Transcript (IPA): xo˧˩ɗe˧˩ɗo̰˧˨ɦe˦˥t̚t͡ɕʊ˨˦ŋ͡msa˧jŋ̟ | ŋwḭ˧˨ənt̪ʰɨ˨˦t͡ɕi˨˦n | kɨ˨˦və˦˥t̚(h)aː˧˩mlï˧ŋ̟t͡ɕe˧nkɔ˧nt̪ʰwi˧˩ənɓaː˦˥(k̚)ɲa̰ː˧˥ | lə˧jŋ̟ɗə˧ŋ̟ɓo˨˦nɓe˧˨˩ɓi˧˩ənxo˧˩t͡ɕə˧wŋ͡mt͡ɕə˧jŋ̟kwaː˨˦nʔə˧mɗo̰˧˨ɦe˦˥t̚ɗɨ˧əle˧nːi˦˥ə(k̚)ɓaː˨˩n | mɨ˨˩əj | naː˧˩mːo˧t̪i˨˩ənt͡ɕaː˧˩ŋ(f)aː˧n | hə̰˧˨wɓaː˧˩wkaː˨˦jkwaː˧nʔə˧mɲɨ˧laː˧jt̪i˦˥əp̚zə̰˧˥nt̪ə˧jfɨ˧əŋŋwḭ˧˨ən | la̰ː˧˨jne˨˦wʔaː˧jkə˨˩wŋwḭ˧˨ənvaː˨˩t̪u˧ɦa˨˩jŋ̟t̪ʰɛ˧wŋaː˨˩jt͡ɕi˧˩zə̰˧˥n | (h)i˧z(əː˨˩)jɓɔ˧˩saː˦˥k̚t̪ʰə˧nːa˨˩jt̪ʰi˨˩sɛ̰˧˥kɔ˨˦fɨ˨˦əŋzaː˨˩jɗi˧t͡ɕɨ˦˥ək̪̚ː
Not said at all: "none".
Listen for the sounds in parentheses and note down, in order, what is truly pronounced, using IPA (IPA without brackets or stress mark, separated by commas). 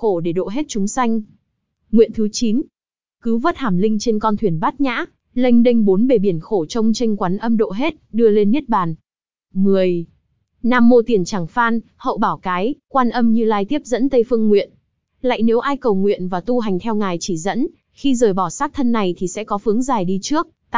h, t̚, t̚, f, x, əː˨˩